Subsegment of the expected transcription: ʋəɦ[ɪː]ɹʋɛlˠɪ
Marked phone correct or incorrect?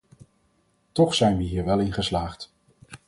incorrect